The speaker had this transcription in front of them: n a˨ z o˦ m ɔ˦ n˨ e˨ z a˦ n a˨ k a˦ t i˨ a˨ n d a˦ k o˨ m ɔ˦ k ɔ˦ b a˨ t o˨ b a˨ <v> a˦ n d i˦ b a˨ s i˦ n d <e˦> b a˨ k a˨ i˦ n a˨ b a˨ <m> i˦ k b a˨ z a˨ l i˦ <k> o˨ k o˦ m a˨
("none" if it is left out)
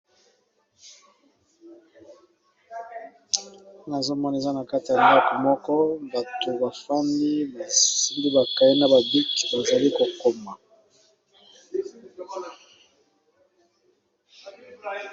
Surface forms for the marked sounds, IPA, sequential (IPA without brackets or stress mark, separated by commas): f, i˦, b, k